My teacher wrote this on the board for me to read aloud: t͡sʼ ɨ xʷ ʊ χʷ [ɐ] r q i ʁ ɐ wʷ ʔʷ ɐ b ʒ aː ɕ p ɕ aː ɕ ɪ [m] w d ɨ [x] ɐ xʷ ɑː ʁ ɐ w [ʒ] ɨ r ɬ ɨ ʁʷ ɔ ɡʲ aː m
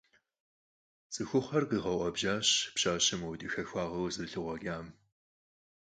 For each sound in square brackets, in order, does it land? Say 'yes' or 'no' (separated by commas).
yes, yes, yes, no